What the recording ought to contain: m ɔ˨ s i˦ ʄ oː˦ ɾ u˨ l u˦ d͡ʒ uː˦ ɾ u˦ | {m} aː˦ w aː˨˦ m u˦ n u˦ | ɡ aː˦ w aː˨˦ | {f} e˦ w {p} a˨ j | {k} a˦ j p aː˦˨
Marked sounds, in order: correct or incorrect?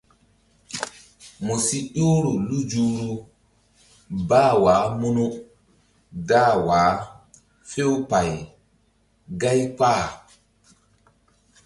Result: incorrect: b, correct, correct, incorrect: ɡ

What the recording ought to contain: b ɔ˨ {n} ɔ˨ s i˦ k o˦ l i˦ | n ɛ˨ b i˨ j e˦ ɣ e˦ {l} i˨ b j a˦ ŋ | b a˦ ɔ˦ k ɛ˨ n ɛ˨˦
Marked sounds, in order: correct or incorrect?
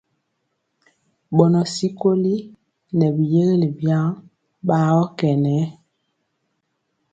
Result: correct, correct

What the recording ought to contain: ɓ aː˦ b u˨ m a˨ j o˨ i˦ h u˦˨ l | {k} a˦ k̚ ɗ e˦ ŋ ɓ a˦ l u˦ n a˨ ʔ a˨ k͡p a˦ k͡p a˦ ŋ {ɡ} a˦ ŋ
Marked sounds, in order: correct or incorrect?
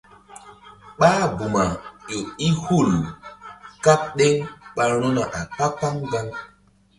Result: correct, correct

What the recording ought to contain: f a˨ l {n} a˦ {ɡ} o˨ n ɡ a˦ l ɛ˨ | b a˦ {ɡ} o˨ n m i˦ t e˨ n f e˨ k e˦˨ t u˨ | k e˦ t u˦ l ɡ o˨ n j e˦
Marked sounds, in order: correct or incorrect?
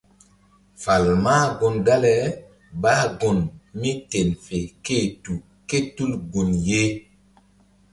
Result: incorrect: m, correct, correct

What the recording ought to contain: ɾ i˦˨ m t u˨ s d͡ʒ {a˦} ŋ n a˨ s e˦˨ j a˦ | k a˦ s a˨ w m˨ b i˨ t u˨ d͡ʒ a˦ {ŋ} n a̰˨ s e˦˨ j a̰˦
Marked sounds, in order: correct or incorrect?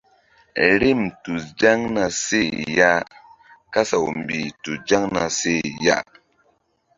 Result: correct, correct

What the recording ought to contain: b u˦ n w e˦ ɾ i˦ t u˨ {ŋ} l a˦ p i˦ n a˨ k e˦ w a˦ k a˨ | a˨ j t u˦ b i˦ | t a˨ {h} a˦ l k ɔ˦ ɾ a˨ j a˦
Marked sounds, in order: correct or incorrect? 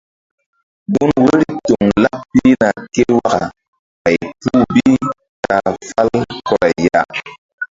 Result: correct, incorrect: f

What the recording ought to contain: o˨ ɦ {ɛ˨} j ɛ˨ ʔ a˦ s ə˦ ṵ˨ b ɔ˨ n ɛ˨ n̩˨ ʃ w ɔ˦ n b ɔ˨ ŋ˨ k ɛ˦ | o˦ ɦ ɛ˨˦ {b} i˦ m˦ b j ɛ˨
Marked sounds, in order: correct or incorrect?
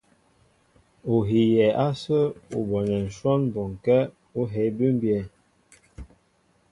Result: incorrect: i˨, correct

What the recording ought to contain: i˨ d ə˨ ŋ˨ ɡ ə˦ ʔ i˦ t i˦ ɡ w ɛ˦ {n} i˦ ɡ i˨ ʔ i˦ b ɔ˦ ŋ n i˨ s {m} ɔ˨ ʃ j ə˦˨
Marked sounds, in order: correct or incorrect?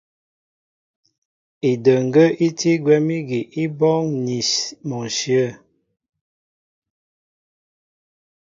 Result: incorrect: m, correct

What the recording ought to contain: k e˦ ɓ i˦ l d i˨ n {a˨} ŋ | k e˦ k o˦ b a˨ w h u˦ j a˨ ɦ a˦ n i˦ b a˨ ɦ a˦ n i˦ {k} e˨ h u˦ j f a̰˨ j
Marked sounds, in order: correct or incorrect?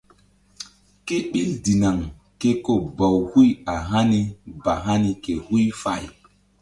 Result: correct, correct

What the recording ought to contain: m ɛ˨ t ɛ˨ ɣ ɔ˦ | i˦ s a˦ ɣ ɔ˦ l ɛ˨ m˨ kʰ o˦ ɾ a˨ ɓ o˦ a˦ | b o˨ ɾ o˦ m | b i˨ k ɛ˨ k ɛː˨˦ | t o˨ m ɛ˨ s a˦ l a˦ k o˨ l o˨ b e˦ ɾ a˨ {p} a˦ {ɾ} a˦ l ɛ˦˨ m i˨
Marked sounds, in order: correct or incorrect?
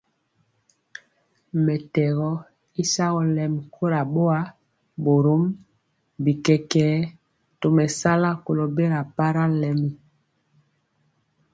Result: correct, correct

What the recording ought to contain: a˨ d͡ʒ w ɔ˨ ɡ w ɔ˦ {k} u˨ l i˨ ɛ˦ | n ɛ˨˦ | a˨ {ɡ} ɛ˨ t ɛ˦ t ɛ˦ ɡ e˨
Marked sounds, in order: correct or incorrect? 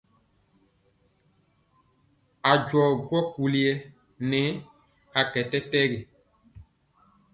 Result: correct, incorrect: k

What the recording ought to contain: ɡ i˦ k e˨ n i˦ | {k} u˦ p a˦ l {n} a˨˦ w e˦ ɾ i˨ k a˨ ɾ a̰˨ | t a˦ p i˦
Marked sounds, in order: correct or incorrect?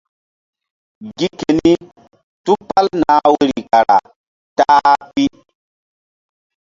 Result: incorrect: t, correct

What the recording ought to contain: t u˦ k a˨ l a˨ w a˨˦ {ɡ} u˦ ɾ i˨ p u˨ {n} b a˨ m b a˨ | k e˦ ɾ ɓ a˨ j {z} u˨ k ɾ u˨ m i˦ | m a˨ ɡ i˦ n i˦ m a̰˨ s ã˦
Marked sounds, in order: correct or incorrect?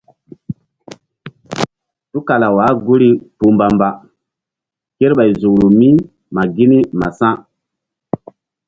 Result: correct, incorrect: m, correct

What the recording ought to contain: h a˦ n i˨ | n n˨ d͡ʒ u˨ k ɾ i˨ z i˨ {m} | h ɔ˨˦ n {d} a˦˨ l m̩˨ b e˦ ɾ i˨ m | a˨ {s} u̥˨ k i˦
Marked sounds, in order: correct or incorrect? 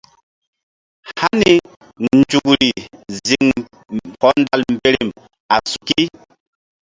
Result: incorrect: ŋ, correct, correct

